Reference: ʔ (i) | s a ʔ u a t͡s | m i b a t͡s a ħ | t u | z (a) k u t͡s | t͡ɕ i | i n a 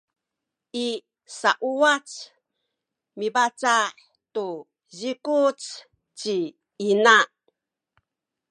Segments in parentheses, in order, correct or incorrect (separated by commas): correct, incorrect